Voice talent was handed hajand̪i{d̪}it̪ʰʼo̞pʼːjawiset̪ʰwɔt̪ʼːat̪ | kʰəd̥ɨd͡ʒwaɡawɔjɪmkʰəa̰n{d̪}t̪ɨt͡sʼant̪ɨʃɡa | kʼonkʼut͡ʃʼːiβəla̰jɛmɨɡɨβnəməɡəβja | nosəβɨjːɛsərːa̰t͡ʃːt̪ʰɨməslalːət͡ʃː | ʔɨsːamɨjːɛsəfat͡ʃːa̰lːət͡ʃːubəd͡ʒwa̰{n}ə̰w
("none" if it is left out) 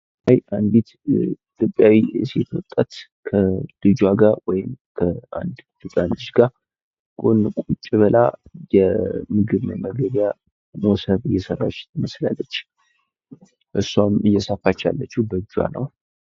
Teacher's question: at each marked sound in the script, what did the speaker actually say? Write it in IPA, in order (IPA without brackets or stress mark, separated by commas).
t̪, d̪, n